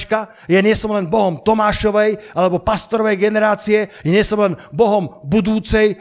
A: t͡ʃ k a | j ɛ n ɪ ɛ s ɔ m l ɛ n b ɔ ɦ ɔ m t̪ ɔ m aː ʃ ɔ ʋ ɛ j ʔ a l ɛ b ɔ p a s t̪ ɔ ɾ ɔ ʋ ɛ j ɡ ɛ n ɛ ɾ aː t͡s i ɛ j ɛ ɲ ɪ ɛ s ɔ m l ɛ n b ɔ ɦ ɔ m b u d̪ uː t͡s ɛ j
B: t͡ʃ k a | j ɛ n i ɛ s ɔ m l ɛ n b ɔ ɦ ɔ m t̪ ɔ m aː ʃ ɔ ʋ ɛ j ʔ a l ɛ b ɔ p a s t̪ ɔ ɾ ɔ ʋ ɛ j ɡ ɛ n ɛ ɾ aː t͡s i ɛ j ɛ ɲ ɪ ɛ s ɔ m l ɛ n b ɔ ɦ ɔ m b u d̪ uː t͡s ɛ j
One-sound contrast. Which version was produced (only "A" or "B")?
A